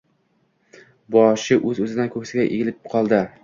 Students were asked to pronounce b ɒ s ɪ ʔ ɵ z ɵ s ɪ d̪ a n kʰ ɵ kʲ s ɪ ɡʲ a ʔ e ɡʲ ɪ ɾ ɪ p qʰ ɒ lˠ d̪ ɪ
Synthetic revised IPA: b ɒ ʃ ɪ ʔ ɵ z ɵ z ɪ d̪ a n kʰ ɵ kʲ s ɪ ɡʲ a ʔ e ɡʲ ɪ l ɪ p qʰ ɒ lˠ d̪ ɪ